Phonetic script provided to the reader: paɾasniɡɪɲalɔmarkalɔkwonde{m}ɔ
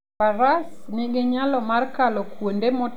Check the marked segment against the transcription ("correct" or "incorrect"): correct